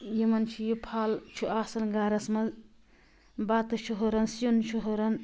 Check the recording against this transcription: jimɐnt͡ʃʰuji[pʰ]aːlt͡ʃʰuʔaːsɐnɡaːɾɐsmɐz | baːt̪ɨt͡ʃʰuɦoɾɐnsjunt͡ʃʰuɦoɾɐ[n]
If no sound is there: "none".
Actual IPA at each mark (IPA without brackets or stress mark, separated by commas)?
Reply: pʰ, n